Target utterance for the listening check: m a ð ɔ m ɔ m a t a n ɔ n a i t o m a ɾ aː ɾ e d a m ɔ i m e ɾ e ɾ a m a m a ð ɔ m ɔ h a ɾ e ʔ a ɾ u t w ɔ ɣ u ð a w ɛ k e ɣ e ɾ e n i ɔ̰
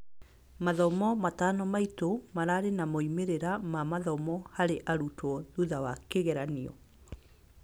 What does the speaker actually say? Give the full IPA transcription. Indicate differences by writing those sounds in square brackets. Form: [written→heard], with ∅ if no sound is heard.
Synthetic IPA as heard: m a ð ɔ m ɔ m a t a n ɔ [n→m] a i t o m a ɾ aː ɾ e [d→n] a m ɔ i m e ɾ e ɾ a m a m a ð ɔ m ɔ h a ɾ e ʔ a ɾ u t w ɔ [ɣ→ð] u ð a w [ɛ→a] k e ɣ [e→ɛ] ɾ [e→a] n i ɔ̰

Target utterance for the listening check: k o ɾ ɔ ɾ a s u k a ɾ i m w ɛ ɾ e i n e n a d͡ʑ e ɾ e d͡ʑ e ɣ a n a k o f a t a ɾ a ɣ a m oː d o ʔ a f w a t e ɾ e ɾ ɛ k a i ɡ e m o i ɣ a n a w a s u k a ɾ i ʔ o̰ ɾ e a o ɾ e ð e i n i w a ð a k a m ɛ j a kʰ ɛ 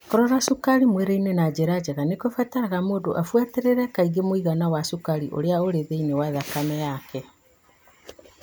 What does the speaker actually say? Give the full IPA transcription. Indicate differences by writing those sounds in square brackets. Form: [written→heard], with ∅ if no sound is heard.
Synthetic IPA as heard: k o ɾ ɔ ɾ a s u k a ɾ i m w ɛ ɾ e i n e n a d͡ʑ e ɾ [e→a] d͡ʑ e ɣ a n [a→e] k o f a t a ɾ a ɣ a m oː d o ʔ a f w a t e ɾ e ɾ ɛ k a i ɡ e m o i ɣ a n a w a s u k a ɾ i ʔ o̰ ɾ e a o ɾ e ð e i n [i→e] w a ð a k a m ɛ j a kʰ ɛ

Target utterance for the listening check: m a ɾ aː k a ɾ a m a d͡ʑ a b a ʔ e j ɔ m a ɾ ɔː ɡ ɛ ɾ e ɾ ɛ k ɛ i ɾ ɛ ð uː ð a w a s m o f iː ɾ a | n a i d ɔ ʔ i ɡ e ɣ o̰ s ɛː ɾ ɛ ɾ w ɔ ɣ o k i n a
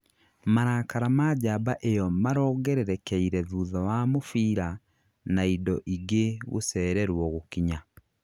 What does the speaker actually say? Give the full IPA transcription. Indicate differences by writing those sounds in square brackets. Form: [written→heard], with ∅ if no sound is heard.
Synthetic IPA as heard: m a ɾ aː k a ɾ a m a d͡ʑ a b a ʔ e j ɔ m a ɾ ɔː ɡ ɛ ɾ e ɾ ɛ k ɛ i ɾ ɛ ð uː ð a w a [s→∅] m o f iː ɾ a | n a i d ɔ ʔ i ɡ e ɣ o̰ s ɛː ɾ ɛ ɾ w ɔ ɣ o k i [n→ɲ] a

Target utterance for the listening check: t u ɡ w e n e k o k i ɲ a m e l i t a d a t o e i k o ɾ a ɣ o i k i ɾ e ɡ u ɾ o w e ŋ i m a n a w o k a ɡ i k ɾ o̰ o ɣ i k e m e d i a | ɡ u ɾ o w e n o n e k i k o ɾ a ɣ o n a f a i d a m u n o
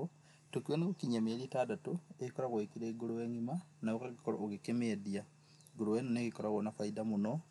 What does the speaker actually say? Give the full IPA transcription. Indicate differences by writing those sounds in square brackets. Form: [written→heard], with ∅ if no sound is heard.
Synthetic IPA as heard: t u [ɡ→k] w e n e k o k i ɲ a m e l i t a d a t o e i k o ɾ a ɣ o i k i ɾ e ɡ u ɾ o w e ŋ i m a n a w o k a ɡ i k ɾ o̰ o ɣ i k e m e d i a | ɡ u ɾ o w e n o n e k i k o ɾ a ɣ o n a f a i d a m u n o

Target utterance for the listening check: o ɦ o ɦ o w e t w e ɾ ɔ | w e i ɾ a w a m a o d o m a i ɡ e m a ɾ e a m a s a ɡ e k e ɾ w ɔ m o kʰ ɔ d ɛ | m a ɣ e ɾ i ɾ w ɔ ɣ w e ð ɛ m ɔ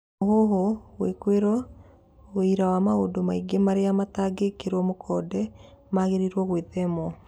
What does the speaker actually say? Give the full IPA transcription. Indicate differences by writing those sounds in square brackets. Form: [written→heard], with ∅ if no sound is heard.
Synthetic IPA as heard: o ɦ o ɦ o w e [t→k] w e ɾ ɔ | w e i ɾ a w a m a o d o m a i ɡ e m a ɾ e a m a [s→t] a ɡ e k e ɾ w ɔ m o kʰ ɔ d ɛ | m a ɣ e ɾ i ɾ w ɔ ɣ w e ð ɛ m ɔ

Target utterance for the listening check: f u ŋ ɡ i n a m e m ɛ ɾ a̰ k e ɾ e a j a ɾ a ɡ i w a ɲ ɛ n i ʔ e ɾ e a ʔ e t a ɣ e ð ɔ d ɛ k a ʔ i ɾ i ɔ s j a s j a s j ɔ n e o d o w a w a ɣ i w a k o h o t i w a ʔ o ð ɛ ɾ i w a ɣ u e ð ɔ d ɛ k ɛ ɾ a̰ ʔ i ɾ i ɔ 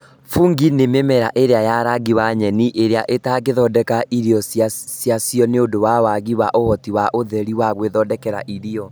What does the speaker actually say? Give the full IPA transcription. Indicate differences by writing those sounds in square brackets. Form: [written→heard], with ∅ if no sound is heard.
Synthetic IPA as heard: f u ŋ ɡ i n [a→e] m e m ɛ ɾ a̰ [k→ʔ] e ɾ e a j a ɾ a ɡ i w a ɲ ɛ n i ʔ e ɾ e a ʔ e t a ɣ e ð ɔ d ɛ k a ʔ i ɾ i ɔ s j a s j a s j ɔ n e o d o w a w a ɣ i w a [k→ʔ] o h [o→ɔ] t i w a ʔ o ð ɛ ɾ i w a ɣ [u→w] e ð ɔ d ɛ k ɛ ɾ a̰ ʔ i ɾ i ɔ

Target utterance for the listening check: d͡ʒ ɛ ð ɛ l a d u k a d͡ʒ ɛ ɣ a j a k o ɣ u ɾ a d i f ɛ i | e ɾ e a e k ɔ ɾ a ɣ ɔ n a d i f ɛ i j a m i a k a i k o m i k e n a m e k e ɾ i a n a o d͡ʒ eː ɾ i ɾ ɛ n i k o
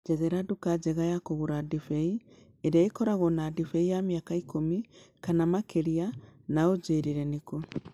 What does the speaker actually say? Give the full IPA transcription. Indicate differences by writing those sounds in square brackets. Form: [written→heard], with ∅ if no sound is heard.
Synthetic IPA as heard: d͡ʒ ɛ ð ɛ [l→ɾ] a d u k a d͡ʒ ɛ ɣ a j a k o ɣ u ɾ a d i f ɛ i | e ɾ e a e k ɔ ɾ a ɣ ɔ n a d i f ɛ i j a m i a k a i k o m i k [e→a] n a m [e→a] k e ɾ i a n a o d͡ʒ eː ɾ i ɾ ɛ n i k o

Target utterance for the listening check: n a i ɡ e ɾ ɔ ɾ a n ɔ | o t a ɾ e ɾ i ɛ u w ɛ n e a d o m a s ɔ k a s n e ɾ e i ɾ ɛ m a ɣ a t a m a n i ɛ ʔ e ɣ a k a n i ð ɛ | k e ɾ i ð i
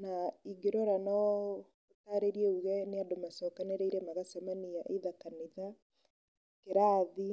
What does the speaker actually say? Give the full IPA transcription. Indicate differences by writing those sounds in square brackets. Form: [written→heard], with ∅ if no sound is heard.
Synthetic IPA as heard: n a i ɡ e ɾ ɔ ɾ a n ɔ | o t a ɾ e ɾ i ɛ u [w→ɣ] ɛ n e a d o m a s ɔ k a [s→∅] n e ɾ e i ɾ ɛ m a ɣ a [t→s] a m a n i [ɛ→a] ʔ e [ɣ→ð] a k a n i ð [ɛ→a] | k e ɾ [i→a] ð i

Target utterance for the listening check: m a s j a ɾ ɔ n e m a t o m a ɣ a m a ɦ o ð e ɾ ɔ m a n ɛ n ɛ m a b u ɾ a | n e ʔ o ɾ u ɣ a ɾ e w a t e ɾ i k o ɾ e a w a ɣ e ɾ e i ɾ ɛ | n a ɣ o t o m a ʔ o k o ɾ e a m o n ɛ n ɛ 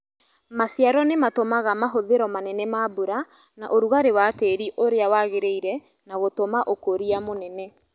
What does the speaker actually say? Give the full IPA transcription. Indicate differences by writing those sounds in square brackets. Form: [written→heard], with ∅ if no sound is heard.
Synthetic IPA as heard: m a s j a ɾ ɔ n e m a t o m a ɣ a m a ɦ o ð e ɾ ɔ m a n ɛ n ɛ m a b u ɾ a | n [e→a] ʔ o ɾ u ɣ a ɾ e w a t e ɾ i [k→ʔ] o ɾ e a w a ɣ e ɾ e i ɾ ɛ | n a ɣ o t o m a ʔ o k o ɾ [e→i] a m o n ɛ n ɛ

